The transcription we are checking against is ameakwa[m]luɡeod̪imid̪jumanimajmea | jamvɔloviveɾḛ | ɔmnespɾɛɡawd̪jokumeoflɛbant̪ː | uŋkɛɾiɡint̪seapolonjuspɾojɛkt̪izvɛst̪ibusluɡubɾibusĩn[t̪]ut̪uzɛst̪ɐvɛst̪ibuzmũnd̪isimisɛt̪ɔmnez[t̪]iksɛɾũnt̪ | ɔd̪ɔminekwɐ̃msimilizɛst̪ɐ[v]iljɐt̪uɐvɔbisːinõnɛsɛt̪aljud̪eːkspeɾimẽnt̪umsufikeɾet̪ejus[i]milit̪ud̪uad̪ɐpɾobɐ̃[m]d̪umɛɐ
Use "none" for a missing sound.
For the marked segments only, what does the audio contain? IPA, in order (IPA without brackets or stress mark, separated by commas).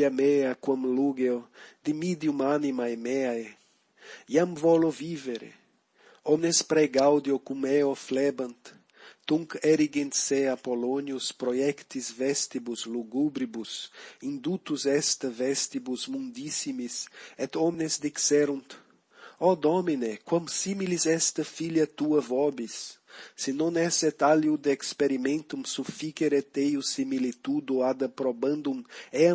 m, d̪, d̪, f, i, n